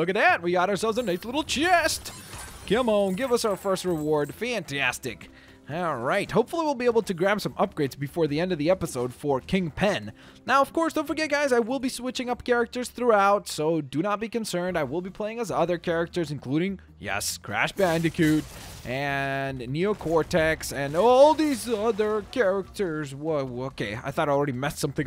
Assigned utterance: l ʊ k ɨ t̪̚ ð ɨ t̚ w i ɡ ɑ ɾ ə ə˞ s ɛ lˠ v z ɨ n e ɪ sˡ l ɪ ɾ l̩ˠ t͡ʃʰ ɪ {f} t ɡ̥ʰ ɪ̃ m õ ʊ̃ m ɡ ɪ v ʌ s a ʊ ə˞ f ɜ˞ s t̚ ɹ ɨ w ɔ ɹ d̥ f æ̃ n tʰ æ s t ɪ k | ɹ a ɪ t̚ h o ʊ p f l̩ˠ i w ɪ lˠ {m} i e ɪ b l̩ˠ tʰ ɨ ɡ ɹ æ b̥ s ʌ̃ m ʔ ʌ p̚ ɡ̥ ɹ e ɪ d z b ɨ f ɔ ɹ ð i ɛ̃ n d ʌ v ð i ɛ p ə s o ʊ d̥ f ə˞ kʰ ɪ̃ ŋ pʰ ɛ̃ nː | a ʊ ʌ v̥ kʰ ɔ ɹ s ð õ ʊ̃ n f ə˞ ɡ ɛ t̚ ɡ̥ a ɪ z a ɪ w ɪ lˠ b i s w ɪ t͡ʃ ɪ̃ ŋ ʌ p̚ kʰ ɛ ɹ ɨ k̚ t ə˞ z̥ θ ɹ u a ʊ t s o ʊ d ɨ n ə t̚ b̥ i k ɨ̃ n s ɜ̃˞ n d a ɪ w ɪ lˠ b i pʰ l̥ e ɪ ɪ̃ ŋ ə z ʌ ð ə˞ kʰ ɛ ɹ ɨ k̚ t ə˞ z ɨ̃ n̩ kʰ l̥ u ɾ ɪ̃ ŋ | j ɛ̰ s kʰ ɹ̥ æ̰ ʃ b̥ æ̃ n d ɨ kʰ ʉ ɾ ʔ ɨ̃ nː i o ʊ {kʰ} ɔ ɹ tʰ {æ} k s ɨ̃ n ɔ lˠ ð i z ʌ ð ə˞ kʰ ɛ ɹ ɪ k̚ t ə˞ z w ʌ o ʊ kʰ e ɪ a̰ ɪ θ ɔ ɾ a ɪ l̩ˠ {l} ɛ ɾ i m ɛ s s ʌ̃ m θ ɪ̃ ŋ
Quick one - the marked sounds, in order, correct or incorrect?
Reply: incorrect, incorrect, correct, incorrect, incorrect

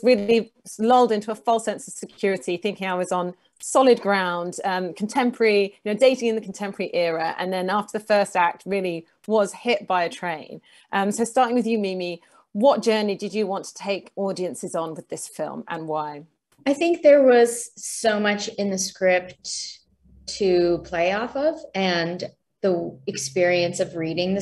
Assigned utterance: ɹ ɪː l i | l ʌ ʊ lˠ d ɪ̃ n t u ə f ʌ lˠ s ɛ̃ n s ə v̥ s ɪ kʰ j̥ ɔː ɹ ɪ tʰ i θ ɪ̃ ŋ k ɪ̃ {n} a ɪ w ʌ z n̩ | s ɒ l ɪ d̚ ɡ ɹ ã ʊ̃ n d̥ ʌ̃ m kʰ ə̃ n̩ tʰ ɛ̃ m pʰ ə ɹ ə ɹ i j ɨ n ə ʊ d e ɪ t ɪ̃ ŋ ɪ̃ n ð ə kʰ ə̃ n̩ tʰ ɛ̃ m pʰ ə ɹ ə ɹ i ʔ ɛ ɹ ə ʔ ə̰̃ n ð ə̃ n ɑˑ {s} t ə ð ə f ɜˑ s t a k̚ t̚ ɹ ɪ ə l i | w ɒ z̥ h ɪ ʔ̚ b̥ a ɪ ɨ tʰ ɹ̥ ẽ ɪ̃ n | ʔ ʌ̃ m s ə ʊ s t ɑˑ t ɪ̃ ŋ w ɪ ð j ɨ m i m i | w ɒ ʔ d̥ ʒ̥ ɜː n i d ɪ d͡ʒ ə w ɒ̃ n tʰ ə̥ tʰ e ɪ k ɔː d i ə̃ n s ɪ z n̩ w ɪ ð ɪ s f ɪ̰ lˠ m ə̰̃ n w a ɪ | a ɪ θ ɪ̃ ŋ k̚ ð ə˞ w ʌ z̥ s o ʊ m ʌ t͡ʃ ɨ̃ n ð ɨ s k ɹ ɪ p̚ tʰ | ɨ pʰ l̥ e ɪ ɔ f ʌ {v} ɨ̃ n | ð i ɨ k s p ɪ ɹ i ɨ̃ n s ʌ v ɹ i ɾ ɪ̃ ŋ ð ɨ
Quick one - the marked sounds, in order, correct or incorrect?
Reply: incorrect, incorrect, correct

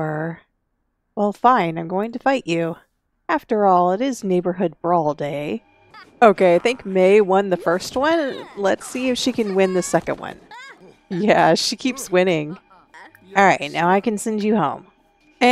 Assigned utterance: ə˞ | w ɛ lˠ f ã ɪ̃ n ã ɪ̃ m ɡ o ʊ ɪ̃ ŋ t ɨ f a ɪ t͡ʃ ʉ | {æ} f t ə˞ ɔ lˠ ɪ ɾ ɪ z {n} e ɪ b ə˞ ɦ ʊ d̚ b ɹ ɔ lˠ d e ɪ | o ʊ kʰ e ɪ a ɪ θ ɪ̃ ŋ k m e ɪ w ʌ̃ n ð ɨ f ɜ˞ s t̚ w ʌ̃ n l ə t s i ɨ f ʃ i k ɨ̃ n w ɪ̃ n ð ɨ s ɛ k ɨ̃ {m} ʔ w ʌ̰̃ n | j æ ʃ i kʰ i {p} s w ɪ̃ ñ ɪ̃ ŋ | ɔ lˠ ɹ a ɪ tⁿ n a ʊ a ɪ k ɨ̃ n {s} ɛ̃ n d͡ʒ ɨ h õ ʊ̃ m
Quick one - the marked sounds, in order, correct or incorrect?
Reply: correct, correct, incorrect, correct, correct

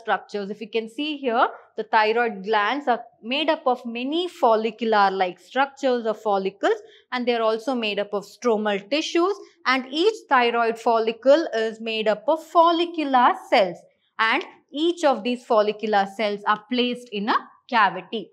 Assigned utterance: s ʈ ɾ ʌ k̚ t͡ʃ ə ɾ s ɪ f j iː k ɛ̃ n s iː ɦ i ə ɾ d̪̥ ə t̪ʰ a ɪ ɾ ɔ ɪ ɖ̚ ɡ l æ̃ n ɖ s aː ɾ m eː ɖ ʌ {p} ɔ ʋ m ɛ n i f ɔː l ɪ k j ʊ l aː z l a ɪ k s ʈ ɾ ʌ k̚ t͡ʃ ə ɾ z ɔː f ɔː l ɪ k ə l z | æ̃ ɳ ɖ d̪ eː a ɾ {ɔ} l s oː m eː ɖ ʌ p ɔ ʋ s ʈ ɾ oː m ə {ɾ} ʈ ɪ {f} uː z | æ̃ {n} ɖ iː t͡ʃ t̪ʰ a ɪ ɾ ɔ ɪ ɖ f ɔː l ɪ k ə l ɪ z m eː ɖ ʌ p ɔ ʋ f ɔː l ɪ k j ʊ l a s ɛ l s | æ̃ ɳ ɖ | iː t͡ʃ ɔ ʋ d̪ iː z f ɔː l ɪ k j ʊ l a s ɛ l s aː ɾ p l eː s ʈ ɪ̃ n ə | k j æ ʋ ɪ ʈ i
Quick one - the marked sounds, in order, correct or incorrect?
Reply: correct, incorrect, incorrect, incorrect, incorrect

